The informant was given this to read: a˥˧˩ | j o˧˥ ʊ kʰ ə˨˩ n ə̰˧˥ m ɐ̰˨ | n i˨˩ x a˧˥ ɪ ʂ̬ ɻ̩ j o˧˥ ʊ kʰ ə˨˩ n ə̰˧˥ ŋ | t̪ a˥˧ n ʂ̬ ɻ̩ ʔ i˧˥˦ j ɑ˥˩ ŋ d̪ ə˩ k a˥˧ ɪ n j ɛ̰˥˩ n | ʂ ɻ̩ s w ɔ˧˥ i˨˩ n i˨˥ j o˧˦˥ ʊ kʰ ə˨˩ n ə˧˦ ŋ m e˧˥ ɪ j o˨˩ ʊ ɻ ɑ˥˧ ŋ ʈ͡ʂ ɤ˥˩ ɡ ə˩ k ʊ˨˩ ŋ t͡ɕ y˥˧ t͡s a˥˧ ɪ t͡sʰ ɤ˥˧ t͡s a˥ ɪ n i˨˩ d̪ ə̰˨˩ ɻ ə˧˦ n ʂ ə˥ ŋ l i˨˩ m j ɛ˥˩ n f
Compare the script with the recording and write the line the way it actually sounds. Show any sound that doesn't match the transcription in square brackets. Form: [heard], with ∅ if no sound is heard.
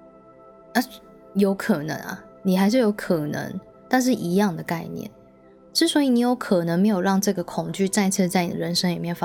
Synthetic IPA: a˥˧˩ | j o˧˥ ʊ kʰ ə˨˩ n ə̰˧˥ [ŋ] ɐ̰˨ | n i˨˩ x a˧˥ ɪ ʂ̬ ɻ̩ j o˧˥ ʊ kʰ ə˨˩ n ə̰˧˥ ŋ | t̪ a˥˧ n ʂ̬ ɻ̩ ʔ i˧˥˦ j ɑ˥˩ ŋ d̪ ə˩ k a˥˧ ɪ n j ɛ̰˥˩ n | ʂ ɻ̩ s w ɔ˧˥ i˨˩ n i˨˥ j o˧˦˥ ʊ kʰ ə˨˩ n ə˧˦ ŋ m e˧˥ ɪ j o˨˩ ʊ ɻ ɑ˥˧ ŋ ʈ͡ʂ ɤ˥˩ ɡ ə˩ [kʰ] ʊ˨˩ ŋ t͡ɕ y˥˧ t͡s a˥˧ ɪ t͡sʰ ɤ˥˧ t͡s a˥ ɪ n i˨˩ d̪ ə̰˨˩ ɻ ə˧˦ n ʂ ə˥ ŋ l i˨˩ m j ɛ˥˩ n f